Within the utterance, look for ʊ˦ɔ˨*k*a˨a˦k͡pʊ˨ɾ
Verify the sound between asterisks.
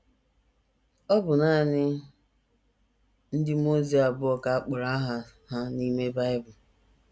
correct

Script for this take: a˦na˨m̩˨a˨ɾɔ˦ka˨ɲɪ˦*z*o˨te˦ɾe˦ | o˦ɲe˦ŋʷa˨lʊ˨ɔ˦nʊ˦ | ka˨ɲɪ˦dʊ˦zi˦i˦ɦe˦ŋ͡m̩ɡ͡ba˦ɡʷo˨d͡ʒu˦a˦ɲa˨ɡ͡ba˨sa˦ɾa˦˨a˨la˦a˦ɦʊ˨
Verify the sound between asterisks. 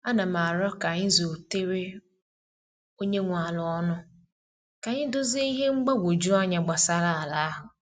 correct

